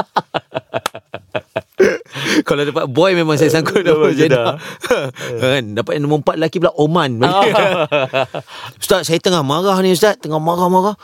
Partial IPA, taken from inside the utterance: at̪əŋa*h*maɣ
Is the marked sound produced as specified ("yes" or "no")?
yes